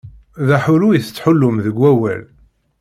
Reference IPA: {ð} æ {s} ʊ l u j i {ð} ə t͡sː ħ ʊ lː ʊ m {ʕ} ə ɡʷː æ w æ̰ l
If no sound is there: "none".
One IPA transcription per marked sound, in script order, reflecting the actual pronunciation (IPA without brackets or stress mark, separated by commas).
ð, ħ, θ, ð